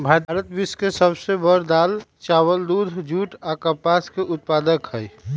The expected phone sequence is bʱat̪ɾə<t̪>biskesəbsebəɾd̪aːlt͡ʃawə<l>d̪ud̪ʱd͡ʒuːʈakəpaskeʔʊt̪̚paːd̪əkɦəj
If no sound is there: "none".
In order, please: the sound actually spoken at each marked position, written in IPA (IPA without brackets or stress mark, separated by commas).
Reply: t̪, l